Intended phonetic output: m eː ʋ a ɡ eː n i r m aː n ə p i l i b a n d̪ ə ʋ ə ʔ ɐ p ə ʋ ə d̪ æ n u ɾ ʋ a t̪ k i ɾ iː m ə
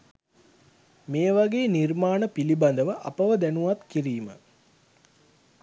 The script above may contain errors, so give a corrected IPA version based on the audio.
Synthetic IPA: m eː ʋ a ɡ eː n i r m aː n ə p i l i b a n d̪ ə ʋ ə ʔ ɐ p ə ʋ ə d̪ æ n u ʋ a t̪ k i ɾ iː m ə